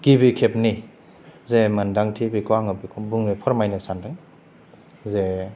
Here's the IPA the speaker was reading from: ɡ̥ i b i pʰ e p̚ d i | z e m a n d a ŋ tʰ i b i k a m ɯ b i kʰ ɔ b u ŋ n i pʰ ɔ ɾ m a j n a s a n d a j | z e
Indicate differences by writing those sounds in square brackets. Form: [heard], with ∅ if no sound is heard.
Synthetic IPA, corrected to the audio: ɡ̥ i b i [kʰ] e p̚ [n] i | z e m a n d a ŋ tʰ i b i k a [ŋ] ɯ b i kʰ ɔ b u ŋ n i pʰ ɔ ɾ m a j n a s a n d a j | z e